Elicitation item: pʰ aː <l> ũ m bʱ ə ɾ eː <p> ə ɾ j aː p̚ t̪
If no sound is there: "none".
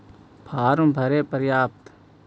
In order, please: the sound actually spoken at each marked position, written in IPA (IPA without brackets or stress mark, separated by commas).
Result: ɾ, p